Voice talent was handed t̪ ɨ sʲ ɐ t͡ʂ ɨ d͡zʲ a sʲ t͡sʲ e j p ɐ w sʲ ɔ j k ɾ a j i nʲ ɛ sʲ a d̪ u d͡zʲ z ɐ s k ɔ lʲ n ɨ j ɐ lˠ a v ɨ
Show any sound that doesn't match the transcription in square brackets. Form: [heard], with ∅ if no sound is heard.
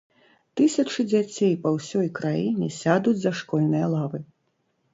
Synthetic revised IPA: t̪ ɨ sʲ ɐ t͡ʂ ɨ d͡zʲ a [∅] t͡sʲ e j p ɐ w sʲ ɔ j k ɾ a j i nʲ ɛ sʲ a d̪ u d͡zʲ z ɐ [ʂ] k ɔ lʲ n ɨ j ɐ lˠ a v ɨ